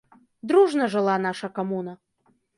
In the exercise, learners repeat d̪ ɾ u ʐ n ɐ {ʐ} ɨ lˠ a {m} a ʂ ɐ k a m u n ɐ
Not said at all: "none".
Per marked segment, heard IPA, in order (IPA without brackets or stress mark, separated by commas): ʐ, n